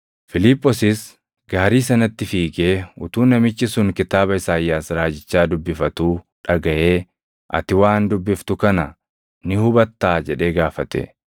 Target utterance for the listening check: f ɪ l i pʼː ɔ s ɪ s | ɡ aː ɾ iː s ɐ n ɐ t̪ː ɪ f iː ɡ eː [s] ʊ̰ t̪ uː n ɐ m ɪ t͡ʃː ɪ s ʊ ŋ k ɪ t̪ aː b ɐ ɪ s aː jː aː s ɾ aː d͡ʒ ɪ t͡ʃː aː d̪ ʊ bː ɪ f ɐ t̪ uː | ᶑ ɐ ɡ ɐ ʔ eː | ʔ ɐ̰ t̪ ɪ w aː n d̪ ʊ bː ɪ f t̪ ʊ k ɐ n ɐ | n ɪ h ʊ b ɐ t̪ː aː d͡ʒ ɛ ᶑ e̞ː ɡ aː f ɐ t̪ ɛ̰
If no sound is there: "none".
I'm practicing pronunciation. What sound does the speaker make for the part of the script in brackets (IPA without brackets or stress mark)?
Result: none